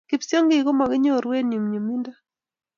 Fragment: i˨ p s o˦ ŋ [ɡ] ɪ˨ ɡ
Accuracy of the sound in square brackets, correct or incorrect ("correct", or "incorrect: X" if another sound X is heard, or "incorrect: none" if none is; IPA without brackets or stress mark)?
correct